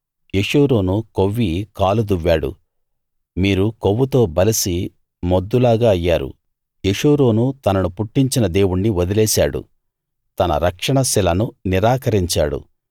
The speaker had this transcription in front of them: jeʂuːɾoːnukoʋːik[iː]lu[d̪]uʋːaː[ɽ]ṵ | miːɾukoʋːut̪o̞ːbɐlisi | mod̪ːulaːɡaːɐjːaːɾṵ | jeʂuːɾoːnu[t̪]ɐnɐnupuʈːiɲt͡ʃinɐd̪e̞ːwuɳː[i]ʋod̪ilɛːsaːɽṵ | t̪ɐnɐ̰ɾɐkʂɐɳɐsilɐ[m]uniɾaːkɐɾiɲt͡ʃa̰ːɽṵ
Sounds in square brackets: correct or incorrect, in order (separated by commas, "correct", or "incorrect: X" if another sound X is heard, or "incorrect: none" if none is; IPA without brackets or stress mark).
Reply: incorrect: aː, correct, correct, correct, correct, incorrect: n